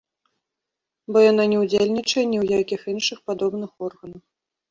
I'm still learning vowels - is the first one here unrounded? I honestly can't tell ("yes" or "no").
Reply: no